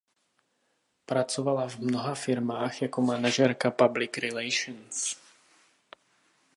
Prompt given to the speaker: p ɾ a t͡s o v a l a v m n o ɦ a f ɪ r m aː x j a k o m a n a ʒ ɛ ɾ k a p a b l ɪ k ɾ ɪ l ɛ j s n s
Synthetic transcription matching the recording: p ɾ a t͡s o v a l a v m n o ɦ a f ɪ ɾ m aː x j a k o m a n a ʒ ɛ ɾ k a p a b l ɪ k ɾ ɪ l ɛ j ʃ n s